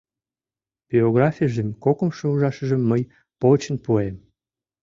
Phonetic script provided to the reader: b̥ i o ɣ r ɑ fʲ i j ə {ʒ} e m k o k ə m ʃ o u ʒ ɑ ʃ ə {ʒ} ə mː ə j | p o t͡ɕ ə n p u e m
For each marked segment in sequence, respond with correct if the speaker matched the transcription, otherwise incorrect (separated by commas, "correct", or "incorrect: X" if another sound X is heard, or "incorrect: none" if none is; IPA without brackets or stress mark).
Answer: correct, correct